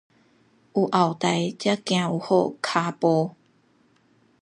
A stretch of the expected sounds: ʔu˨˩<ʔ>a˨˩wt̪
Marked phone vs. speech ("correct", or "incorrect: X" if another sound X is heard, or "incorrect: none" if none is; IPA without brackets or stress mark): correct